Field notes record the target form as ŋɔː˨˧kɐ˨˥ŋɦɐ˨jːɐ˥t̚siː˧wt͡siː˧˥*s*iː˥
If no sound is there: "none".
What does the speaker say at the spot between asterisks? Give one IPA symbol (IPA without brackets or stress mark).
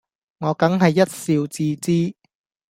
t͡s